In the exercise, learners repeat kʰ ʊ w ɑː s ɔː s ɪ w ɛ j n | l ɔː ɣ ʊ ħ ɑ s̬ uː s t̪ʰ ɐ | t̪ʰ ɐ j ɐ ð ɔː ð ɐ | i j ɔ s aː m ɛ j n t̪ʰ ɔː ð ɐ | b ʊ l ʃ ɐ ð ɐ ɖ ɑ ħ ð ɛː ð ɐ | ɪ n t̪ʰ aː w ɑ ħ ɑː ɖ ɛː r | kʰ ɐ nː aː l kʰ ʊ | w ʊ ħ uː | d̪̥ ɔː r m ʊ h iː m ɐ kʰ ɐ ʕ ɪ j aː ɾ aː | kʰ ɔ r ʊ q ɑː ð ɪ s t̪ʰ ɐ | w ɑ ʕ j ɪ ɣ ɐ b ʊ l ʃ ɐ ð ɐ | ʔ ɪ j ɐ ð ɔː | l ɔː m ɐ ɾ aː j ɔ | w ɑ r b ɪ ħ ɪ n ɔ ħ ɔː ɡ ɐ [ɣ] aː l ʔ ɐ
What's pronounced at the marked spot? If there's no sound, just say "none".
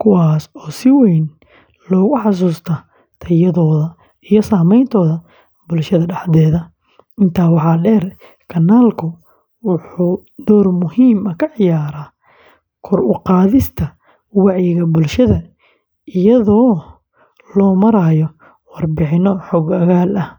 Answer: ɣ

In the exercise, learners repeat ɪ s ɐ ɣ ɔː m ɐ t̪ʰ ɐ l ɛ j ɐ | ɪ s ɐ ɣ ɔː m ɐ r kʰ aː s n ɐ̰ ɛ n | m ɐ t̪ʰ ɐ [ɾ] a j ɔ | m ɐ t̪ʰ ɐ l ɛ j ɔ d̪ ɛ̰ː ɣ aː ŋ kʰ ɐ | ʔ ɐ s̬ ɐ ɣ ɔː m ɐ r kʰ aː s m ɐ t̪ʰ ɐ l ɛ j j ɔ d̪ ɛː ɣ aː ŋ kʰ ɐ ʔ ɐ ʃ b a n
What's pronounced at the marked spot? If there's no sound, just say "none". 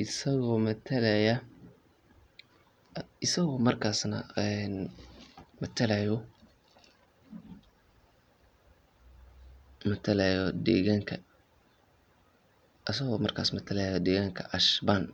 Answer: l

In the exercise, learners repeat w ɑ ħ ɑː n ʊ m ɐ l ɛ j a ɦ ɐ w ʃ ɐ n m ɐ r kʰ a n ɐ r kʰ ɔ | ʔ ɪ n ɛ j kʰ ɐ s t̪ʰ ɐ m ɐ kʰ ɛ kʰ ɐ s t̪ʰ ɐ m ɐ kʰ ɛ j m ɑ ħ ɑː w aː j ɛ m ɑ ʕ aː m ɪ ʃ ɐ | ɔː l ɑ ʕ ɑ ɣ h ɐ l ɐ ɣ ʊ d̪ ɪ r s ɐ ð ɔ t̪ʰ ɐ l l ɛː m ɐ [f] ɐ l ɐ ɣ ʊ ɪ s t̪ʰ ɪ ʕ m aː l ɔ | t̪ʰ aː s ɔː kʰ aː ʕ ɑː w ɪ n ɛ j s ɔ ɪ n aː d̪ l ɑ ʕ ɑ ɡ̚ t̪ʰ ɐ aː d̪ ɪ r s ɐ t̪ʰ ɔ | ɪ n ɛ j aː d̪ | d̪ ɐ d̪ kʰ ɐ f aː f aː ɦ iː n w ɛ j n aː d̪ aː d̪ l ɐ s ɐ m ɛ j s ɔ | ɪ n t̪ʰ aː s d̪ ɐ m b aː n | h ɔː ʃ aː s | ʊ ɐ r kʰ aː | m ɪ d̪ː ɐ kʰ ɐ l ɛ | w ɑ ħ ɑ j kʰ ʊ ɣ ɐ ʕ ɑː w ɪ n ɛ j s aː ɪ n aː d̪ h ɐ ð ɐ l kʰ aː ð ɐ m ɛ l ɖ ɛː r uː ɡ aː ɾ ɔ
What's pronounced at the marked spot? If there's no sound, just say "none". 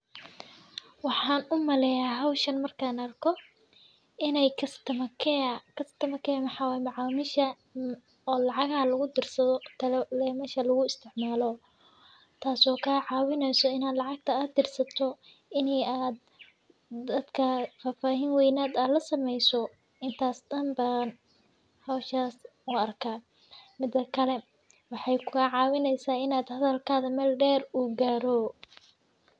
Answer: ʃ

